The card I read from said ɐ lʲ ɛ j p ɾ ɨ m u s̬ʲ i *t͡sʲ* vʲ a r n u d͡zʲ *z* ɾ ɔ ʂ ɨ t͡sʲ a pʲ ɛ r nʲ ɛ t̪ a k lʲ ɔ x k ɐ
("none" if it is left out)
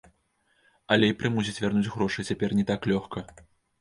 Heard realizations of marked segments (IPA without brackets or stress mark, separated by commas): t͡sʲ, ɣ